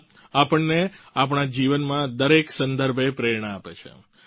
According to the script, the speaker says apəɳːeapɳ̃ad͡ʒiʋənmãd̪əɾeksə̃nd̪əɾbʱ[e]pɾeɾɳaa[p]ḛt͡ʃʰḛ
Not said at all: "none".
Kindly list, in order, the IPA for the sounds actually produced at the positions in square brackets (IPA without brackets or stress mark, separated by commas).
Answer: e, p